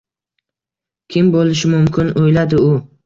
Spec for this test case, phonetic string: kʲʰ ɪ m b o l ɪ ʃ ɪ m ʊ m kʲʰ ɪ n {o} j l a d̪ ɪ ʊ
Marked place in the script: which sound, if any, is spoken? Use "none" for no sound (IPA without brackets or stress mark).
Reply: o